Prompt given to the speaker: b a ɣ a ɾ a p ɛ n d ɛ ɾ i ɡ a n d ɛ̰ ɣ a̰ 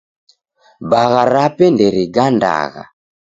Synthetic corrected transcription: b a ɣ a ɾ a p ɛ n d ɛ ɾ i ɡ a n d a̰ ɣ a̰